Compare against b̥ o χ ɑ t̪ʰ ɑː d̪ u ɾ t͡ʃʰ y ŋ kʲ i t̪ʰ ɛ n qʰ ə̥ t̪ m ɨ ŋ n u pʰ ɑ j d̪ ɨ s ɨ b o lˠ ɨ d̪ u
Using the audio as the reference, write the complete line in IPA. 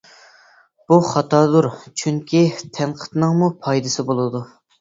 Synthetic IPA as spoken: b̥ u χ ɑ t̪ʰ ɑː d̪ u ɾ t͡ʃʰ y ŋ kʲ i t̪ʰ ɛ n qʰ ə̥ t̪ n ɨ ŋ m u pʰ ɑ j d̪ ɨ s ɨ b o lˠ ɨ d̪ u